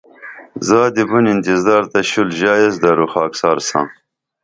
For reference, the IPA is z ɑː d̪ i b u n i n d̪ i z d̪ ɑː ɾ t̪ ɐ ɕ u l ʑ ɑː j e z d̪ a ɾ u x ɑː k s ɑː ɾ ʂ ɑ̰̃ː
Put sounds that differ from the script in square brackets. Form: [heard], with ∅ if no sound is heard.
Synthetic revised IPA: z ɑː d̪ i b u n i n [t̪] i z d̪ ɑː ɾ t̪ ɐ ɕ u l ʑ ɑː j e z d̪ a ɾ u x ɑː k s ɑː ɾ [s] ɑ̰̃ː